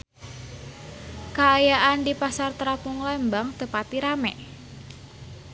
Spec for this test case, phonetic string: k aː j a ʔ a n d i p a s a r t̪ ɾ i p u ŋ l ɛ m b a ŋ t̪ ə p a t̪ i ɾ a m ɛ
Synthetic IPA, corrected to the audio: k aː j a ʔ a n d i p a s a r t̪ ɾ a p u ŋ l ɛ m b a ŋ t̪ ə p a t̪ i ɾ a m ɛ